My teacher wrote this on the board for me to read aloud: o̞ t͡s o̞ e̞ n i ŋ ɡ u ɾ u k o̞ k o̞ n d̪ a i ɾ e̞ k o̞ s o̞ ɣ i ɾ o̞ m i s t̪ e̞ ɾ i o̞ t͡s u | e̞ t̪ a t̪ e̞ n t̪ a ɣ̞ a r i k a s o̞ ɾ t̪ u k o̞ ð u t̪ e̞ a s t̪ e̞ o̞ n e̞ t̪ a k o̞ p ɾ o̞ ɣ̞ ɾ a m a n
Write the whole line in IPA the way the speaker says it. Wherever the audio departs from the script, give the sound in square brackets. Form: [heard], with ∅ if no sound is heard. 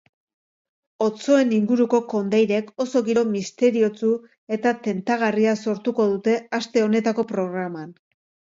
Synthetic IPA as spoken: o̞ t͡s o̞ e̞ n i ŋ ɡ u ɾ u k o̞ k o̞ n d̪ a [j] ɾ e̞ k o̞ s o̞ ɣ i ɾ o̞ m i s t̪ e̞ ɾ i o̞ t͡s u | e̞ t̪ a t̪ e̞ n t̪ a ɣ̞ a r i [∅] a s o̞ ɾ t̪ u k o̞ ð u t̪ e̞ a s t̪ e̞ o̞ n e̞ t̪ a k o̞ p ɾ o̞ ɣ̞ ɾ a m a n